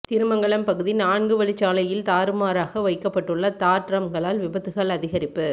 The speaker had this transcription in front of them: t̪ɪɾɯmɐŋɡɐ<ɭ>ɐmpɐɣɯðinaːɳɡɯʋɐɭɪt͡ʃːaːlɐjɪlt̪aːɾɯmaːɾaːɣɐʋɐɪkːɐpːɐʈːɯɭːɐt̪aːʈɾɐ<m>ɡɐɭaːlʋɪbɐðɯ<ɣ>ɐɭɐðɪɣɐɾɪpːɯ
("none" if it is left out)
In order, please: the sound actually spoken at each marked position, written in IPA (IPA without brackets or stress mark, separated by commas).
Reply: ɭ, m, ɣ